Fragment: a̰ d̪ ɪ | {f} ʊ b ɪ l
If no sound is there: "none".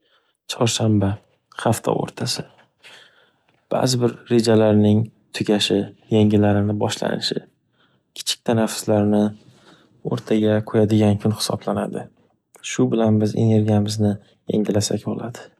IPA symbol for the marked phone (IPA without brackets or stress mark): ʃ